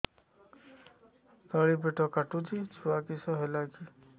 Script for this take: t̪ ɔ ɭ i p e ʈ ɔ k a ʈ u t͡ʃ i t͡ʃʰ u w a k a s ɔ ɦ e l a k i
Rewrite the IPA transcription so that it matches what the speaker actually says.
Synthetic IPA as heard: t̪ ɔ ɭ i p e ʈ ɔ k a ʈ u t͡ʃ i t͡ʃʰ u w a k i s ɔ ɦ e l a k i